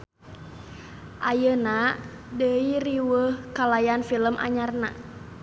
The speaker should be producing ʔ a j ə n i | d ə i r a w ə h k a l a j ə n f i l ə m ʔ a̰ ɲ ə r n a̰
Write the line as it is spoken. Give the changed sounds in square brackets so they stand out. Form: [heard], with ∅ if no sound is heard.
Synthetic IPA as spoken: ʔ a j ə n [a] | d ə i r [i] w ə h k a l a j [a] n f i l ə m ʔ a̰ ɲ [a] r n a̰